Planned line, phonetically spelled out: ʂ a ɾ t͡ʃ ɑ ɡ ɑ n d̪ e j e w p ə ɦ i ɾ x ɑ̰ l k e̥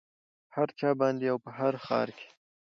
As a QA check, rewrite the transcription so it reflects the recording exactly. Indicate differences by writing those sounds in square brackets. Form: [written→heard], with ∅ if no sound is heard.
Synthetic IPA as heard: [ʂ→h] a ɾ t͡ʃ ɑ [ɡ→b] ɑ n d̪ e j [e→a] w p ə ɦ [i→a] ɾ x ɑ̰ [l→ɾ] k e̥